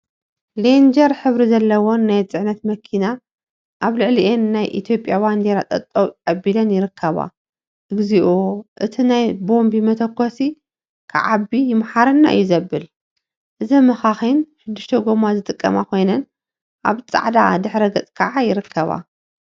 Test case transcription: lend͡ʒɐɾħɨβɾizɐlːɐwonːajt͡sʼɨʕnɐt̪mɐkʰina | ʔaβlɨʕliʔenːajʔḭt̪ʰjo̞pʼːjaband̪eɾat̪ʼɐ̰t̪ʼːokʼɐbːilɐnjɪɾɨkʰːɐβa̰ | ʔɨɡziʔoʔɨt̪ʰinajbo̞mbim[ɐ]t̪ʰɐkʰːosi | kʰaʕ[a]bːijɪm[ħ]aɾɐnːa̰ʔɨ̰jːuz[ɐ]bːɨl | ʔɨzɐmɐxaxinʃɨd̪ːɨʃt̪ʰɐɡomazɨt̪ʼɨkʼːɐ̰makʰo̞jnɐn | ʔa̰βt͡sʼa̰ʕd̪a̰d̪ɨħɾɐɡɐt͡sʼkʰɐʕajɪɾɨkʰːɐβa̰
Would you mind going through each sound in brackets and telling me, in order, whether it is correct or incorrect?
correct, correct, correct, correct

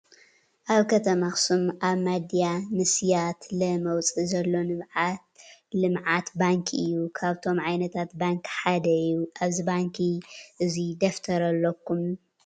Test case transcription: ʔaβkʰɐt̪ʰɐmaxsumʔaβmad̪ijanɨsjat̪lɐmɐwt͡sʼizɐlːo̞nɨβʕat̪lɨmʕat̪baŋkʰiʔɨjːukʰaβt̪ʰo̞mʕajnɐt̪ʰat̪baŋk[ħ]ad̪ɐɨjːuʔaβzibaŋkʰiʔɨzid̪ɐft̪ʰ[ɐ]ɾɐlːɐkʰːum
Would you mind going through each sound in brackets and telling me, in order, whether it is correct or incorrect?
correct, correct

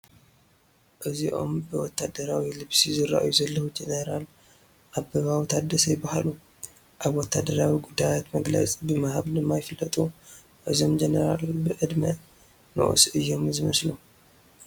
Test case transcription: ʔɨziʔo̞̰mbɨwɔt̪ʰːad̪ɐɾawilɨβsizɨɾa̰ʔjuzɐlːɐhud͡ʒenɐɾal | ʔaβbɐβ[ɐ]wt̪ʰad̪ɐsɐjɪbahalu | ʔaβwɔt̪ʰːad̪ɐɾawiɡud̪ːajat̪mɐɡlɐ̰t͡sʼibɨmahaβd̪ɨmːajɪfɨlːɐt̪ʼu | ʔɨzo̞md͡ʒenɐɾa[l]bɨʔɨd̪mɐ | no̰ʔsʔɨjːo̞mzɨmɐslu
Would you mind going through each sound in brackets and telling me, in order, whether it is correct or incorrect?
incorrect: a, correct

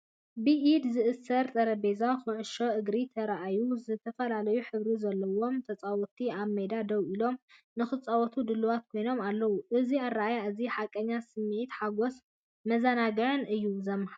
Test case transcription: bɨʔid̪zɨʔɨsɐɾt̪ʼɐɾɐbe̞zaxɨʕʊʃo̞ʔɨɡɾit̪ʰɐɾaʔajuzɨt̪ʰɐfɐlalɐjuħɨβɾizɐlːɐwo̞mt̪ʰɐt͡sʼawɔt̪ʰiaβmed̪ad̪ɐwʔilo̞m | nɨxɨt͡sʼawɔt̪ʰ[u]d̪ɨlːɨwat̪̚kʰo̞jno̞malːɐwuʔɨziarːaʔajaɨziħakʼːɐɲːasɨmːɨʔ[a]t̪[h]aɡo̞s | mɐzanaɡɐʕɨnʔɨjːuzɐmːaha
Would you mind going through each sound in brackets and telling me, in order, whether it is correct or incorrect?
correct, incorrect: i, incorrect: ħ

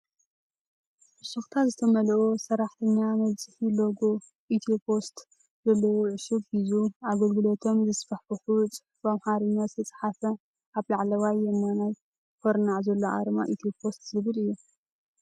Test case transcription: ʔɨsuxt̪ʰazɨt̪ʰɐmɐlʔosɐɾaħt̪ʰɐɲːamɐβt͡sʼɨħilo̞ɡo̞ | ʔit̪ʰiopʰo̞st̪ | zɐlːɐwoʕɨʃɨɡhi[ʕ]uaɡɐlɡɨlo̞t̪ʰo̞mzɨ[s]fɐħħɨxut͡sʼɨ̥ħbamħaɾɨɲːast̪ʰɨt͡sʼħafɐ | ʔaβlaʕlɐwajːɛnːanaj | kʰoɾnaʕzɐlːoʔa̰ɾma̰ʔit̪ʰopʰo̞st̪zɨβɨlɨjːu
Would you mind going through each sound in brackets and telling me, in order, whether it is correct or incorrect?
incorrect: z, correct

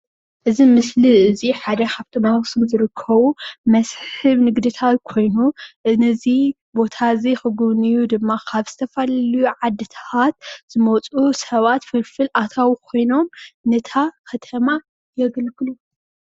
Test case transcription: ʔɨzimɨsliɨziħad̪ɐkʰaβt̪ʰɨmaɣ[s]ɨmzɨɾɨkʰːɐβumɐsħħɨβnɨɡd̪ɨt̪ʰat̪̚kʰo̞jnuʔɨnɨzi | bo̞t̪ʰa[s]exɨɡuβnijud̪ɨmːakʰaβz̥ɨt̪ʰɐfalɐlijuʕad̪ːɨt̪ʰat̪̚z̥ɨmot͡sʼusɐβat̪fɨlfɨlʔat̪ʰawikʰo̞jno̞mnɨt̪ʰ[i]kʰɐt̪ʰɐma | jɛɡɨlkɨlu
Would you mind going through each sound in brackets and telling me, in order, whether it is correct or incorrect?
correct, incorrect: z, incorrect: a

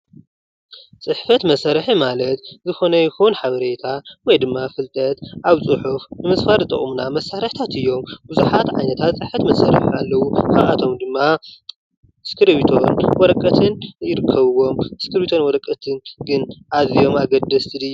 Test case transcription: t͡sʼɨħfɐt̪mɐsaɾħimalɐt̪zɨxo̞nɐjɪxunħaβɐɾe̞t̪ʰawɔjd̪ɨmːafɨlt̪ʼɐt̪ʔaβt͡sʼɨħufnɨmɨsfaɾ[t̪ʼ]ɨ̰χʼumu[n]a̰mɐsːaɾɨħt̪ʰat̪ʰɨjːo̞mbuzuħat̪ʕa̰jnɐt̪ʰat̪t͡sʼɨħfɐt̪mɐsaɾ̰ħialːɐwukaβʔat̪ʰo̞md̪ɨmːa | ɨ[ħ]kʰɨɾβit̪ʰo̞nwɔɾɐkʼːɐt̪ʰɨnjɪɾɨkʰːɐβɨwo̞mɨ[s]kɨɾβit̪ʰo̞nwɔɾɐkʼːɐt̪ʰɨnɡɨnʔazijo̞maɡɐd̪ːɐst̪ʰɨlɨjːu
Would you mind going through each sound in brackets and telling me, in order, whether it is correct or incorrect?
correct, correct, incorrect: s, correct

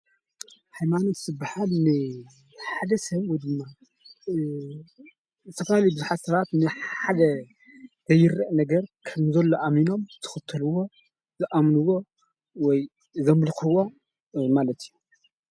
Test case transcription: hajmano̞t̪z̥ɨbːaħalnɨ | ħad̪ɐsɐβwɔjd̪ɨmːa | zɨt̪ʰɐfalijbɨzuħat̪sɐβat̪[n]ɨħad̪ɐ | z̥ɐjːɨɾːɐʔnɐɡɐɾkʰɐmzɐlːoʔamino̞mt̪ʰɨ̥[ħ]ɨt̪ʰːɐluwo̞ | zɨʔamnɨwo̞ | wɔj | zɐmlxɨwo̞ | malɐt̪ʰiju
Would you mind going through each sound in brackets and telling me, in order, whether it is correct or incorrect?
correct, incorrect: x

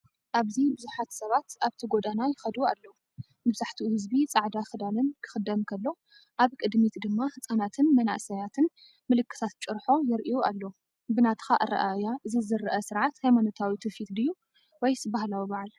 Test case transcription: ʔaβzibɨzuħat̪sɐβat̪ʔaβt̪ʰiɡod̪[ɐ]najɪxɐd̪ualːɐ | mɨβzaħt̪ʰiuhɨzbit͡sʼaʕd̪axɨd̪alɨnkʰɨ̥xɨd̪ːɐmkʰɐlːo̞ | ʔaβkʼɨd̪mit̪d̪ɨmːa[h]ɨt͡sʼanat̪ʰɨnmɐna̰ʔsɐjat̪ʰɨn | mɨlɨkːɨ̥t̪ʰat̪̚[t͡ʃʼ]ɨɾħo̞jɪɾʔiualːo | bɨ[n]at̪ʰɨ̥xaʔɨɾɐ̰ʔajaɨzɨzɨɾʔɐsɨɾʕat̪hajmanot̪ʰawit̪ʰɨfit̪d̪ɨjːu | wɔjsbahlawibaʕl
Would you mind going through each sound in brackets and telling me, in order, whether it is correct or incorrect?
incorrect: a, correct, correct, correct

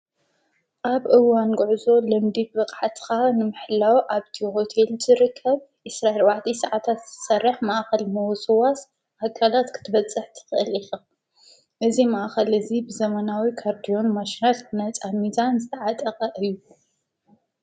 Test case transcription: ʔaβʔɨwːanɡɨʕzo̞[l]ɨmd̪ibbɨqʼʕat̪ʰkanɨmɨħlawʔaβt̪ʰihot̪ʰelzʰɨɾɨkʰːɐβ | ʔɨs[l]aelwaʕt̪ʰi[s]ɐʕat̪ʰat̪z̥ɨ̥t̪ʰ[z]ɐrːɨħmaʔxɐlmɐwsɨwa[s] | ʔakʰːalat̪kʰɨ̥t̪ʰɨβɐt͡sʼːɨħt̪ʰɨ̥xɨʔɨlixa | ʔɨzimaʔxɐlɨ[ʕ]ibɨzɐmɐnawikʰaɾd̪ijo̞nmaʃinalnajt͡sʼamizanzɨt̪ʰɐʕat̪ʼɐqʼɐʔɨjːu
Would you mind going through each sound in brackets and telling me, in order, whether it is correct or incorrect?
correct, incorrect: ɾ, correct, incorrect: s, correct, incorrect: z

